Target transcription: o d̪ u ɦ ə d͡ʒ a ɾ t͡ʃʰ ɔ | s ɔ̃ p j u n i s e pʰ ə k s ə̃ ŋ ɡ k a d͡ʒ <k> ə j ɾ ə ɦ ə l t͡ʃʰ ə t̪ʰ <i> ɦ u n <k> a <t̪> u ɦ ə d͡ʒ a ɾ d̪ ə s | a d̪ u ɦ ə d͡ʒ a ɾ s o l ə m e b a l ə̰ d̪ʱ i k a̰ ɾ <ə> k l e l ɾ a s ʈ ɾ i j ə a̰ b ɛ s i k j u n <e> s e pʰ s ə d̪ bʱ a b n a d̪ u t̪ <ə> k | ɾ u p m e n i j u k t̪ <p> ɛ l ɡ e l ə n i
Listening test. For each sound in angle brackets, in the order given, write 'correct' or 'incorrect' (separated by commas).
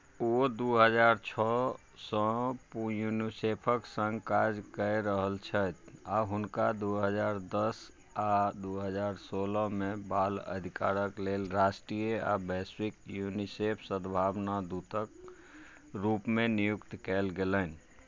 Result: correct, incorrect, correct, incorrect, correct, incorrect, correct, incorrect